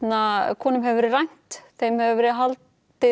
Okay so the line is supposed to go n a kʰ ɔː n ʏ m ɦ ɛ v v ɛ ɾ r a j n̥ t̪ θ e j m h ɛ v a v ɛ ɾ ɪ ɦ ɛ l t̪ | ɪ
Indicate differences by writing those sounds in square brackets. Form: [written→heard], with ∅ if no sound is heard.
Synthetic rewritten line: n a kʰ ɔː n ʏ m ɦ ɛ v v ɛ ɾ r a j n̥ t̪ θ e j m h ɛ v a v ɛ ɾ ɪ ɦ [ɛ→a] l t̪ | ɪ